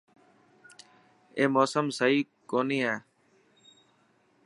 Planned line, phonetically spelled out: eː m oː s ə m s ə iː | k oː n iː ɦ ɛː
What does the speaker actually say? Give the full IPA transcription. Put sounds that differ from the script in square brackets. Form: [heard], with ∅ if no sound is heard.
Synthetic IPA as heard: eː m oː s ə m s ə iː | k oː n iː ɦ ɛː